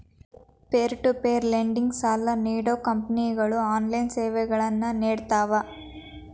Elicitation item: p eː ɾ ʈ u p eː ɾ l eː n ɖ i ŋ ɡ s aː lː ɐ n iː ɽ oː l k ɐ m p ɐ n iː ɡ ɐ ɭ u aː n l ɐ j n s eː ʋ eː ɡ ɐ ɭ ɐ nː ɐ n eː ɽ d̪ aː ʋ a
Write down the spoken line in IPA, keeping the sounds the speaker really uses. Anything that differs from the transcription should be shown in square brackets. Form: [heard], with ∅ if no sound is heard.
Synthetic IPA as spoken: p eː ɾ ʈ u p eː ɾ l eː [ɳ] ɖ i ŋ ɡ s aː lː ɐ n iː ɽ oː [∅] k ɐ m p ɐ n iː ɡ ɐ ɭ u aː n l ɐ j n s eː ʋ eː ɡ ɐ ɭ ɐ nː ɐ n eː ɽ [t̪] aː ʋ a